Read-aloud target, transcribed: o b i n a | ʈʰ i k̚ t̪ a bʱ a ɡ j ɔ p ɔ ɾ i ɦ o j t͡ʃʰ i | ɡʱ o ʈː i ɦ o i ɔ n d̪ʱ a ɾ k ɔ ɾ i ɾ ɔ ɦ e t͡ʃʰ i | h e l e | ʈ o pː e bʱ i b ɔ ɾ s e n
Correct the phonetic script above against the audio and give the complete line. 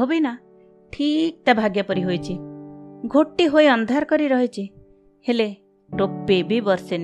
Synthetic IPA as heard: o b i n a | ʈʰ i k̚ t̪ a bʱ a ɡ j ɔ p ɔ ɾ i ɦ o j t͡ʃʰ i | ɡʱ o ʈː i ɦ o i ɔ n d̪ʱ a ɾ k ɔ ɾ i ɾ ɔ ɦ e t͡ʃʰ i | h e l e | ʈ o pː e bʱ i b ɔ ɾ s e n